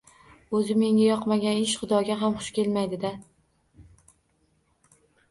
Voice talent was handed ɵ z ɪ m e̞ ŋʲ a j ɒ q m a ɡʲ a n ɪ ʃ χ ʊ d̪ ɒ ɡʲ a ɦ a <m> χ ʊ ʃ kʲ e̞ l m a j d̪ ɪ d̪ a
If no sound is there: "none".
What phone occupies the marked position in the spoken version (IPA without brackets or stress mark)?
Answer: m